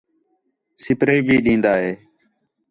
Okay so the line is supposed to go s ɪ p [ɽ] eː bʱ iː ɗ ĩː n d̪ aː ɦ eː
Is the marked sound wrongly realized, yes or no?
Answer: yes